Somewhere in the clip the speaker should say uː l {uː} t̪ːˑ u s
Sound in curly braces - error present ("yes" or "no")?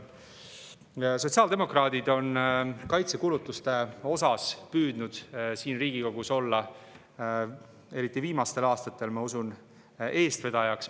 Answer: yes